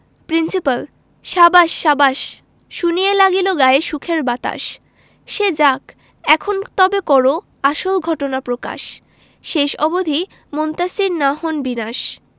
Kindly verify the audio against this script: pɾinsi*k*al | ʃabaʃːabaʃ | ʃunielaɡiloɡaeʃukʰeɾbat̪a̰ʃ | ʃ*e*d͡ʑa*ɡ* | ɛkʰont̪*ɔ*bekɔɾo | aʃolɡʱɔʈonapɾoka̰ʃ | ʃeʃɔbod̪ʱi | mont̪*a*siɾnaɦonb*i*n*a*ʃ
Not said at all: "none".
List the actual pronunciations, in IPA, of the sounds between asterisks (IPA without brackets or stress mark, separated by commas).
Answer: p, e, k, ɔ, a, i, a